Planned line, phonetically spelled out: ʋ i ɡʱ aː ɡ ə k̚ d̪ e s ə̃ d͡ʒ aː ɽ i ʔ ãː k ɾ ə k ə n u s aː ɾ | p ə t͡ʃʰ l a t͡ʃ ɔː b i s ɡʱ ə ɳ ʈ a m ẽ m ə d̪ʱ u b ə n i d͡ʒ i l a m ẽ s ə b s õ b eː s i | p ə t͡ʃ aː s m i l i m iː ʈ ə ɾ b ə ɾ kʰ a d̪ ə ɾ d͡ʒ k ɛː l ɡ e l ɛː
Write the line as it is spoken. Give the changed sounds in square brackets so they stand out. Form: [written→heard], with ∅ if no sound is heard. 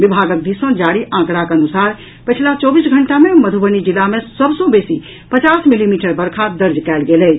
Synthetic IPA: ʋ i [ɡʱ→bʱ] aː ɡ ə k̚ d̪ [e→i] s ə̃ d͡ʒ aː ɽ i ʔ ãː k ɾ [ə→a] k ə n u s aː ɾ | p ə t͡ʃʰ l a t͡ʃ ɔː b i s ɡʱ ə ɳ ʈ a m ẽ m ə d̪ʱ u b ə n i d͡ʒ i l a m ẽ s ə b s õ b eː s i | p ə t͡ʃ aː s m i l i m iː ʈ ə ɾ b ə ɾ kʰ a d̪ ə ɾ d͡ʒ k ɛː l ɡ e l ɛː

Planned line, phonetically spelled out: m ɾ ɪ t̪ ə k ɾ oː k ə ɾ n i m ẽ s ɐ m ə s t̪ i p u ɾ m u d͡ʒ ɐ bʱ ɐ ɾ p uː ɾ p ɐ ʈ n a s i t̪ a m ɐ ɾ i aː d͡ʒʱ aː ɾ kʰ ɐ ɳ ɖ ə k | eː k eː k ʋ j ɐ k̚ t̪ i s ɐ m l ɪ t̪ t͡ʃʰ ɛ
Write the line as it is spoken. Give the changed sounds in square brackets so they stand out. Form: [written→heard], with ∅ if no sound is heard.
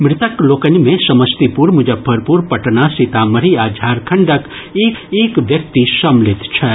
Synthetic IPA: m ɾ ɪ t̪ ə k [ɾ→l] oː k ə [ɾ→∅] n i m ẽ s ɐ m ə s t̪ i p u ɾ m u d͡ʒ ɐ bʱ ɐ ɾ p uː ɾ p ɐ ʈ n a s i t̪ a m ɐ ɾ i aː d͡ʒʱ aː ɾ kʰ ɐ ɳ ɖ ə k | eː k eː k ʋ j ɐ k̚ t̪ i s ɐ m l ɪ t̪ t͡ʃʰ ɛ

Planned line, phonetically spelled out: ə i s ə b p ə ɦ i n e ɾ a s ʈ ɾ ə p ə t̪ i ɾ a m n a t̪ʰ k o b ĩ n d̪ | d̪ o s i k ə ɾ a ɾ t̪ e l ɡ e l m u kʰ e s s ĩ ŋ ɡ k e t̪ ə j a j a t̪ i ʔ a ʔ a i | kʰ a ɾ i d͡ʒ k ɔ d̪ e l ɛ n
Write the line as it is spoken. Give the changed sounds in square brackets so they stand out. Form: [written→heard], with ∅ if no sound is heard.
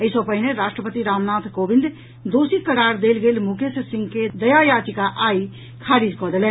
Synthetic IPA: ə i s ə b p ə ɦ i n e ɾ a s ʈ ɾ ə p ə t̪ i ɾ a m n a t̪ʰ k o b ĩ n d̪ | d̪ o s i k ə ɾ a ɾ [t̪→d̪] e l ɡ e l m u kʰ e s s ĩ ŋ ɡ k e [t̪→d̪] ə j a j a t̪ i [ʔ→k] a ʔ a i | kʰ a ɾ i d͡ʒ k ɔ d̪ e l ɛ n

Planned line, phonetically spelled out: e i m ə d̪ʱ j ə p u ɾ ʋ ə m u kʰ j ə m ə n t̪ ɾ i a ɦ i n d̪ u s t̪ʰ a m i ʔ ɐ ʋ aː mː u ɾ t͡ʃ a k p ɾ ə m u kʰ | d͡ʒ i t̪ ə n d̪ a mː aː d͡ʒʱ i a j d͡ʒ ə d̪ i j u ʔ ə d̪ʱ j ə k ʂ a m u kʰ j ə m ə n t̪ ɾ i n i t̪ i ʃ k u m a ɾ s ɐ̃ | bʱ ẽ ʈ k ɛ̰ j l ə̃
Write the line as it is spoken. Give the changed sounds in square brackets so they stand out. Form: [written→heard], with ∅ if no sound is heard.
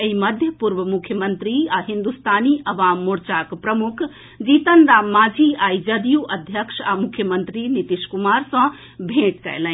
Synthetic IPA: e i m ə d̪ʱ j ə p u ɾ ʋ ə m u kʰ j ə m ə n t̪ ɾ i a ɦ i n d̪ u s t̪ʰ a [m→n] i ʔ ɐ ʋ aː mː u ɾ t͡ʃ a k p ɾ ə m u kʰ | d͡ʒ i t̪ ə n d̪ a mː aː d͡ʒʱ i a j d͡ʒ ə d̪ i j u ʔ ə d̪ʱ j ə k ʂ a m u kʰ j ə m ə n t̪ ɾ i n i t̪ i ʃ k u m a ɾ s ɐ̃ | bʱ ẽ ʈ k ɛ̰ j l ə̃

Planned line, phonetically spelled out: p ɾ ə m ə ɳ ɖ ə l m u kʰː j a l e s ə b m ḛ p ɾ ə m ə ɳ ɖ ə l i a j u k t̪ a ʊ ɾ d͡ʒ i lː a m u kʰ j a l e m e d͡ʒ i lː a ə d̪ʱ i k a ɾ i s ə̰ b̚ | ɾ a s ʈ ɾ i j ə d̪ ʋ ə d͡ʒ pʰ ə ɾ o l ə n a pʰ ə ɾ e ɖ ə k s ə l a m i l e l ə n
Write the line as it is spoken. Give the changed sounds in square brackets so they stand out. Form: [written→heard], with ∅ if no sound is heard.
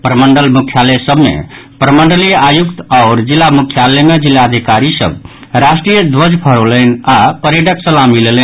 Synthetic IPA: p ɾ ə m ə ɳ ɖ ə l m u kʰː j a l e s ə b m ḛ p ɾ ə m ə ɳ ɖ ə l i a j u k t̪ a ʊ ɾ d͡ʒ i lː a m u kʰ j a l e m e d͡ʒ i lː a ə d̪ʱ i k a ɾ i s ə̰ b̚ | ɾ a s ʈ ɾ i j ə d̪ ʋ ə d͡ʒ pʰ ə ɾ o l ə n a [pʰ→p] ə ɾ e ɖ ə k s ə l a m i l e l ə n

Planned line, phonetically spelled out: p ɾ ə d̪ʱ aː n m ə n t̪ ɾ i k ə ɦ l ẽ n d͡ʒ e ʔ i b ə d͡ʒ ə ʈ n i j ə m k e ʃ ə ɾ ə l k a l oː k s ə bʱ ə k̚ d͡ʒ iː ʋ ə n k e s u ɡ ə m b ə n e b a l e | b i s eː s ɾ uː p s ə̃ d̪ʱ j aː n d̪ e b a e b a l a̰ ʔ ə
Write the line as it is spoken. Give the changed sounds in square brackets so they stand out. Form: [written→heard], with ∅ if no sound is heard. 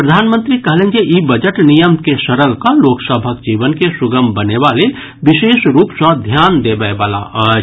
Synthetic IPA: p ɾ ə d̪ʱ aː n m ə n t̪ ɾ i k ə ɦ l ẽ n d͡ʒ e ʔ i b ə d͡ʒ ə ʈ n i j ə m k e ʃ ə ɾ ə l k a l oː k s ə bʱ ə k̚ d͡ʒ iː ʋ ə n k e s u ɡ ə m b ə n e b a l e | b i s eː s ɾ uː p s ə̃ d̪ʱ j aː n d̪ e b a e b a l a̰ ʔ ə

